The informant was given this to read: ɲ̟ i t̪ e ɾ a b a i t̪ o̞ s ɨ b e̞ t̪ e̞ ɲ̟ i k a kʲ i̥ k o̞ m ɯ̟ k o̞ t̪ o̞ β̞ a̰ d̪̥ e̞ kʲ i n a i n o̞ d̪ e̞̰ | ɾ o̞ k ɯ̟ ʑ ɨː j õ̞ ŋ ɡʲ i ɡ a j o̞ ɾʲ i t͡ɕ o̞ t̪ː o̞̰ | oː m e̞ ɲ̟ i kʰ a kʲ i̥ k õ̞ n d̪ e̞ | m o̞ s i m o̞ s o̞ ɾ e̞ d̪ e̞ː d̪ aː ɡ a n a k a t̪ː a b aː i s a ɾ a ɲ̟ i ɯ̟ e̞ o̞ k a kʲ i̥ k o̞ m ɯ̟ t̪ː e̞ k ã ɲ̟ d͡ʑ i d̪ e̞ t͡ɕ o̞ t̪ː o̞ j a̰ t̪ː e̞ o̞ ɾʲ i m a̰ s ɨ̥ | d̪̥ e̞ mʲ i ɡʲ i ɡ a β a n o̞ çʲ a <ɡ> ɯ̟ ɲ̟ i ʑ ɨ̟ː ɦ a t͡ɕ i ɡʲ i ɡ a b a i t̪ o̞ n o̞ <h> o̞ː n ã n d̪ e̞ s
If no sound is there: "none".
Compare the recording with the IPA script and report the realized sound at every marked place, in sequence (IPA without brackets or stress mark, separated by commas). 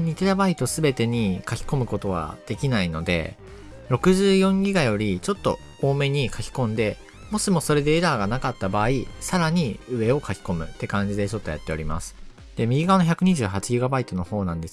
k, h